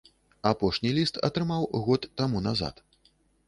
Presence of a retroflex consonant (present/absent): present